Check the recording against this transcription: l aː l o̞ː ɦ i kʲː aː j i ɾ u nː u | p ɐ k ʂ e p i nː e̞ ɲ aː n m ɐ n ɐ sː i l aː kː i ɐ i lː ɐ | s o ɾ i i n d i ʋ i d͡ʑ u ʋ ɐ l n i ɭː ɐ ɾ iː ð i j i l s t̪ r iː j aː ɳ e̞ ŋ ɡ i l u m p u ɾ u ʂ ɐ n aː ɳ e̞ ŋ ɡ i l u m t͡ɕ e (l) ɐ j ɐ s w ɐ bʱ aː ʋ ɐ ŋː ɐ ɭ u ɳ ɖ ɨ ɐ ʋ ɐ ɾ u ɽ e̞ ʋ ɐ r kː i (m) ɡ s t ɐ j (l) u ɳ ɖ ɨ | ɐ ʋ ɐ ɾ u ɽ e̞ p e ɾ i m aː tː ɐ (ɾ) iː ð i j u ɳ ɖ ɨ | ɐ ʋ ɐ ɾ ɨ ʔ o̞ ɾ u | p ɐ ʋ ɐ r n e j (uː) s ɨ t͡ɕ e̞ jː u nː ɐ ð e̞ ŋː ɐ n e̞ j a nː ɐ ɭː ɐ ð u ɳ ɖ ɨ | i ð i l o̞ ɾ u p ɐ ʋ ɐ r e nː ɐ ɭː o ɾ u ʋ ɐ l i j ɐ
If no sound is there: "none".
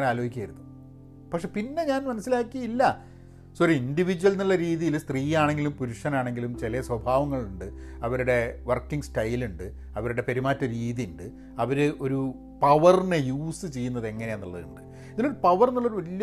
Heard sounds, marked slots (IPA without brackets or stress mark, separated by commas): l, ŋ, l, ɾ, uː